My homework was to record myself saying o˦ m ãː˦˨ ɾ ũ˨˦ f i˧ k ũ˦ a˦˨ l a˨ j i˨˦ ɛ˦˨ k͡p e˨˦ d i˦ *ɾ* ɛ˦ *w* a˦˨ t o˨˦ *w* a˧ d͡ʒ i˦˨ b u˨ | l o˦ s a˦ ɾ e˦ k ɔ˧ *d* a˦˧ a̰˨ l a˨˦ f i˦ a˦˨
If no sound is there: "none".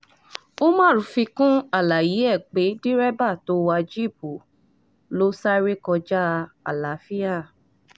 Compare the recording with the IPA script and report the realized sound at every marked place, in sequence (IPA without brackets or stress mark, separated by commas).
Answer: ɾ, b, w, d͡ʒ